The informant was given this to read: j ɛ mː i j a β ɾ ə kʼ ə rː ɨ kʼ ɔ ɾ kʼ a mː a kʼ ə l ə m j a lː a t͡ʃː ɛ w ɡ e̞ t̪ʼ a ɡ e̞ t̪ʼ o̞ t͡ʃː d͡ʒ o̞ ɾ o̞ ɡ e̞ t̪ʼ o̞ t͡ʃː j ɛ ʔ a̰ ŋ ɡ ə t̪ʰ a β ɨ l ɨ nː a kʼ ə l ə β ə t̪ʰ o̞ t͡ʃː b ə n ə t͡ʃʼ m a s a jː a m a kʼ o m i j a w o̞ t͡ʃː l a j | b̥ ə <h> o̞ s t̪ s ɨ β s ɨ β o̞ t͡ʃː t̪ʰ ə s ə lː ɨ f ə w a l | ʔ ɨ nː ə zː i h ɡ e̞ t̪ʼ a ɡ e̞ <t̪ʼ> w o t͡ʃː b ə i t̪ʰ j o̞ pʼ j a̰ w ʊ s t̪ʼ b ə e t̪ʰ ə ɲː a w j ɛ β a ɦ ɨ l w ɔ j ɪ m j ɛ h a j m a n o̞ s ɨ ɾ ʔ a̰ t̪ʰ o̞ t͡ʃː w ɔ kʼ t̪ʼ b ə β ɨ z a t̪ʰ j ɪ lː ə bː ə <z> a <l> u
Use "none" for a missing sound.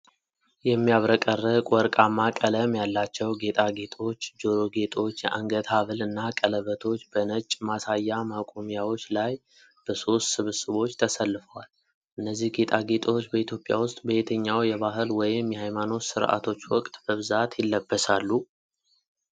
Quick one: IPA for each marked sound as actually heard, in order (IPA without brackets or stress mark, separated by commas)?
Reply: s, t̪ʼ, s, lː